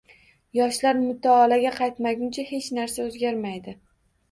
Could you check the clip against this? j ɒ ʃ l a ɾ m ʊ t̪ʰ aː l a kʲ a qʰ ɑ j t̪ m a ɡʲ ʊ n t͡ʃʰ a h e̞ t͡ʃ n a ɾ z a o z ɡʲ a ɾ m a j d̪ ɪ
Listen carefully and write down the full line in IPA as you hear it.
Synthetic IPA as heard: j ɒ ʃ l a ɾ m ʊ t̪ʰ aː l a ɡʲ a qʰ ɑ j t̪ m a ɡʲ ʊ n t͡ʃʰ a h e̞ t͡ʃ n a ɾ s a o z ɡʲ a ɾ m a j d̪ ɪ